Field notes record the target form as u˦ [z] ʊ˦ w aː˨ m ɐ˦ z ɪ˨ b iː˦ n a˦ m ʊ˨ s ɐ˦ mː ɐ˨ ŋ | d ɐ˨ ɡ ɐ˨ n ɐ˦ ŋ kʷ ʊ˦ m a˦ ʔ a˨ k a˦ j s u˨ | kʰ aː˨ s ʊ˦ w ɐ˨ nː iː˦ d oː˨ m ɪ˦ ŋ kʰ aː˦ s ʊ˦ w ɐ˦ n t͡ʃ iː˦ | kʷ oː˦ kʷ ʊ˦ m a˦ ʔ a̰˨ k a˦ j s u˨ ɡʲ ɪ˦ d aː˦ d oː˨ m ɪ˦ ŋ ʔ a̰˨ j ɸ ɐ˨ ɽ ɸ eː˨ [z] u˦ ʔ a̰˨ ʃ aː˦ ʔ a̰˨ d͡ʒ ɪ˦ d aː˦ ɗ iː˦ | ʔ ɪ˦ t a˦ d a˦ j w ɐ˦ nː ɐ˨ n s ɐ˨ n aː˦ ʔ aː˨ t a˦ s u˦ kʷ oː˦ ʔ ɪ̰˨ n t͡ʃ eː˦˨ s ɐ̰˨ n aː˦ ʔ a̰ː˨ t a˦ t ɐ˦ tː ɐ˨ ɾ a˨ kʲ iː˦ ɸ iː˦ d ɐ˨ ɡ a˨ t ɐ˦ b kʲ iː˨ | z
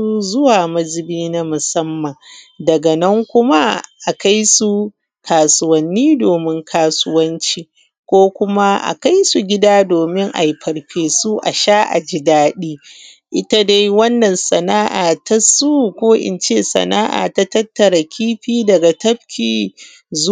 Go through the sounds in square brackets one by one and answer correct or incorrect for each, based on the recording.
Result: correct, incorrect: s

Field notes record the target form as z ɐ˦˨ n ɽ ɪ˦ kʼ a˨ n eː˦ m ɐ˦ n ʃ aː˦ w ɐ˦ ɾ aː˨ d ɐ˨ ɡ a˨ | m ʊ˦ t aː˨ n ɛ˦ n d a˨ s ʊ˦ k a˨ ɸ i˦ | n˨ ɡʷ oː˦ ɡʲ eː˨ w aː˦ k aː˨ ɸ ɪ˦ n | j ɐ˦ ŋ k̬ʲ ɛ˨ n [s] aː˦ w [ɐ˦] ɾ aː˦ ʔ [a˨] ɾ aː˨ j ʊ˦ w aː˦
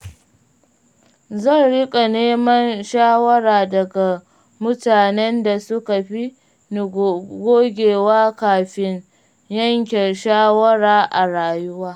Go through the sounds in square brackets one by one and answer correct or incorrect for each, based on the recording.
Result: incorrect: ʃ, correct, correct

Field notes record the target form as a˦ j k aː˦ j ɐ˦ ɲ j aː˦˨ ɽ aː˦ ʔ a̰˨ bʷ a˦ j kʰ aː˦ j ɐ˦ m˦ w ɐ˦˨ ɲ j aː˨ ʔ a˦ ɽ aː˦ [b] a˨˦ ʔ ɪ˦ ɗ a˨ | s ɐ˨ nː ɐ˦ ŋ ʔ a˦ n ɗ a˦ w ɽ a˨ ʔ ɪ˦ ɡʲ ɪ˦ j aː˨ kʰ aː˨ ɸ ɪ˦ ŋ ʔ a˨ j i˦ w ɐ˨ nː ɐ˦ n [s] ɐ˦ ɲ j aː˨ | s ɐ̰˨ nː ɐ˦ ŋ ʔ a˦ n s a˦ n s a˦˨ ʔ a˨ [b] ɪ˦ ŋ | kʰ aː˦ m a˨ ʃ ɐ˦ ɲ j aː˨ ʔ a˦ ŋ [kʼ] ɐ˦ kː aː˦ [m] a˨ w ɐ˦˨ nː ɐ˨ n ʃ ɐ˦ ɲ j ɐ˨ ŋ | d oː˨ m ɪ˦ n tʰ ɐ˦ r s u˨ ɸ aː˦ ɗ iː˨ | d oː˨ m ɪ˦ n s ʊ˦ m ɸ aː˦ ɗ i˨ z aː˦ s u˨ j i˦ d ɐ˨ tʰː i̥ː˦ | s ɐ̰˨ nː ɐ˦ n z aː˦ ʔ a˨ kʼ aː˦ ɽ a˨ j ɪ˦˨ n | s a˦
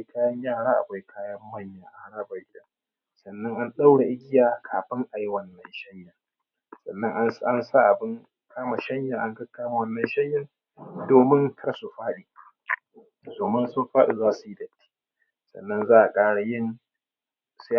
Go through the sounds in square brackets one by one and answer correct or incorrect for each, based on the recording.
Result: correct, incorrect: ʃ, correct, incorrect: k, correct

